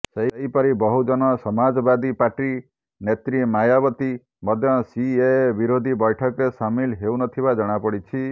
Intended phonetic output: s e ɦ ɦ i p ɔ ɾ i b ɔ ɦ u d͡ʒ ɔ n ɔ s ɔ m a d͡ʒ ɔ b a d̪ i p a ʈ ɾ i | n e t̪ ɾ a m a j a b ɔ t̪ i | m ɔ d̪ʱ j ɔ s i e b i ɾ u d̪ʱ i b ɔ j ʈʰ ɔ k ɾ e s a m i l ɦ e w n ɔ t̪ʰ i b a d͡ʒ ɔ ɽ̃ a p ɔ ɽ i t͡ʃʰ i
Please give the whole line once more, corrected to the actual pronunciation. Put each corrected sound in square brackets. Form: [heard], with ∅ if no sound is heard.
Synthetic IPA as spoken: s e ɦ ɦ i p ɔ ɾ i b ɔ ɦ u d͡ʒ ɔ n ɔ s ɔ m a d͡ʒ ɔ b a d̪ i p a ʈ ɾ i | n e t̪ ɾ [i] m a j a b ɔ t̪ i | m ɔ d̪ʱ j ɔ s i e b i ɾ [o] d̪ʱ i b ɔ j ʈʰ ɔ k ɾ e s a m i l ɦ e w n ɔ t̪ʰ i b a d͡ʒ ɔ ɽ̃ a p ɔ ɽ i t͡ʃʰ i

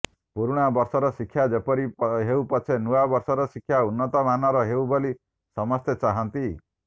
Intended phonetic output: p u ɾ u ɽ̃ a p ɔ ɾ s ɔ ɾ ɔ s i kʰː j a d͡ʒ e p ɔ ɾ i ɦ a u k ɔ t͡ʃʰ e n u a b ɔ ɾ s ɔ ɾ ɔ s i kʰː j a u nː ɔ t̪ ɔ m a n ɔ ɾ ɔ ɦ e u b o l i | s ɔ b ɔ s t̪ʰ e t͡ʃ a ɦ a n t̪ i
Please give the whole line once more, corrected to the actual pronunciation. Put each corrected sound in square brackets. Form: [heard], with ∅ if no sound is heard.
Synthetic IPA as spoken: p u ɾ u ɽ̃ a [b] ɔ ɾ s ɔ ɾ ɔ s i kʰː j a d͡ʒ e p ɔ ɾ i ɦ [e] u [p] ɔ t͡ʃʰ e n u a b ɔ ɾ s ɔ ɾ ɔ s i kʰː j a u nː ɔ t̪ ɔ m a n ɔ ɾ ɔ ɦ e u b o l i | s ɔ [m] ɔ s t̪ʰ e t͡ʃ a ɦ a n t̪ i

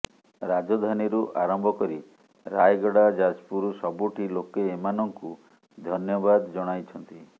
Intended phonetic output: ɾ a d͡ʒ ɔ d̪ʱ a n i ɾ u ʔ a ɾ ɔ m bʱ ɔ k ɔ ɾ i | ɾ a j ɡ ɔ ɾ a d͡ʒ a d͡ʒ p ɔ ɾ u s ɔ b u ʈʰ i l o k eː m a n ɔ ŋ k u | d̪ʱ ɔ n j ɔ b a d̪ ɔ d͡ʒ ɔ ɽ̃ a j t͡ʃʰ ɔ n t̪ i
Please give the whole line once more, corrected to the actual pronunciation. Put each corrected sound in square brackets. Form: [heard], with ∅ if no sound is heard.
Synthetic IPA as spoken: ɾ a d͡ʒ ɔ d̪ʱ a n i ɾ u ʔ a ɾ ɔ m bʱ ɔ k ɔ ɾ i | ɾ a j ɡ ɔ [ɽ] a d͡ʒ a d͡ʒ p [u] ɾ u s ɔ b u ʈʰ i l o k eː m a n ɔ ŋ k u | d̪ʱ ɔ n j ɔ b a d̪ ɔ d͡ʒ ɔ ɽ̃ a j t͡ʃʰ ɔ n t̪ i

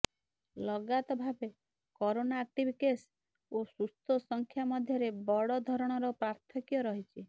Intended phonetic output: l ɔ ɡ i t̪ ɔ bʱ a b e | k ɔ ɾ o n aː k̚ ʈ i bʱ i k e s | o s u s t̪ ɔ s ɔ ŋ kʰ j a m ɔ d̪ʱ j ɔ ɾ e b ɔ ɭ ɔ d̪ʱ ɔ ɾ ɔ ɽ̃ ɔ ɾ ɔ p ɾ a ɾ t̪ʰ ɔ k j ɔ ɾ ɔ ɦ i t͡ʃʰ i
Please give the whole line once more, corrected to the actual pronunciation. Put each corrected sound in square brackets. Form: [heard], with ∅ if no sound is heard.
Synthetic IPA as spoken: l ɔ ɡ [a] t̪ ɔ bʱ a b e | k ɔ ɾ o n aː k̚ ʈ i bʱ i k e s | o s u s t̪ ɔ s ɔ ŋ kʰ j a m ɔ d̪ʱ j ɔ ɾ e b ɔ [ɽ] ɔ d̪ʱ ɔ ɾ ɔ ɽ̃ ɔ ɾ ɔ p ɾ a ɾ t̪ʰ ɔ k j ɔ ɾ ɔ ɦ i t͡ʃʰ i

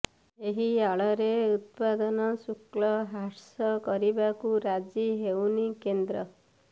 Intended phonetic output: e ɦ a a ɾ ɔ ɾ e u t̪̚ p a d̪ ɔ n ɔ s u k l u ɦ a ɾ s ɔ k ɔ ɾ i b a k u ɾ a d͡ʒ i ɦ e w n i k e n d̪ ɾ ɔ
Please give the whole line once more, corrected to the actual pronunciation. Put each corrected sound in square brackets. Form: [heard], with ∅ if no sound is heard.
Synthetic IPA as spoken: e ɦ [i] a [ɭ] ɔ ɾ e u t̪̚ p a d̪ ɔ n ɔ s u k l [ɔ] ɦ a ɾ s ɔ k ɔ ɾ i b a k u ɾ a d͡ʒ i ɦ e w n i k e n d̪ ɾ ɔ

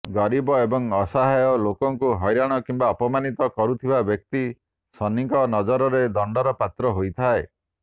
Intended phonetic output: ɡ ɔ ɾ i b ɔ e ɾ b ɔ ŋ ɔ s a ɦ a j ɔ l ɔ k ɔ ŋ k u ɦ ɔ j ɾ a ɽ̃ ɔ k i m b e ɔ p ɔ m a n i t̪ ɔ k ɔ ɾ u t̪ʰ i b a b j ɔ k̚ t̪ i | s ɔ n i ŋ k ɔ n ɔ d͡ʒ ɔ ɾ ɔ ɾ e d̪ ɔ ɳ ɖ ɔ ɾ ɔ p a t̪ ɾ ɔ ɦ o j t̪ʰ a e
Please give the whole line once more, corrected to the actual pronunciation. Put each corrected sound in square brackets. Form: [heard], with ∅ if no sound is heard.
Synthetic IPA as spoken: ɡ ɔ ɾ i b ɔ e [∅] b ɔ ŋ ɔ s a ɦ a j ɔ l [o] k ɔ ŋ k u ɦ ɔ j ɾ a ɽ̃ ɔ k i m b [a] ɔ p ɔ m a n i t̪ ɔ k ɔ ɾ u t̪ʰ i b a b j ɔ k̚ t̪ i | s ɔ n i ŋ k ɔ n ɔ d͡ʒ ɔ ɾ ɔ ɾ e d̪ ɔ ɳ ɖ ɔ ɾ ɔ p a t̪ ɾ ɔ ɦ o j t̪ʰ a e

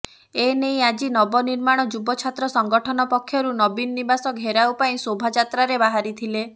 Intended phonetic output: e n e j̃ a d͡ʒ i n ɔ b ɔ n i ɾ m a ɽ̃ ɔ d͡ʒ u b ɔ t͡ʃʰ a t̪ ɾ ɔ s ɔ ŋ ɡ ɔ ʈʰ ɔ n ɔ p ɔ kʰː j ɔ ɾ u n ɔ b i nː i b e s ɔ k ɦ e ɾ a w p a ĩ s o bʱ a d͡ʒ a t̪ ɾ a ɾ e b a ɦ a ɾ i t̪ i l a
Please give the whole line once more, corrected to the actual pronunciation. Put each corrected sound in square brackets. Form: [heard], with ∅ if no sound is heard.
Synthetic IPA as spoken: e n e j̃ a d͡ʒ i n ɔ b ɔ n i ɾ m a ɽ̃ ɔ d͡ʒ u b ɔ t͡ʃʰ a t̪ ɾ ɔ s ɔ ŋ ɡ ɔ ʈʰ ɔ n ɔ p ɔ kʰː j ɔ ɾ u n ɔ b i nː i b [a] s ɔ k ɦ e ɾ a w p a ĩ s o bʱ a d͡ʒ a t̪ ɾ a ɾ e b a ɦ a ɾ i [t̪ʰ] i l [e]

